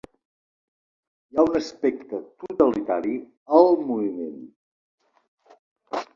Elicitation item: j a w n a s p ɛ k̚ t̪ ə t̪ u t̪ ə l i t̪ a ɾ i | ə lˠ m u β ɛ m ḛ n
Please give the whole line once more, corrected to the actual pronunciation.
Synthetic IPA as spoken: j a u n ə s p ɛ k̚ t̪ ə t̪ u t̪ ə l i t̪ a ɾ i | ə lˠ m u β i m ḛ n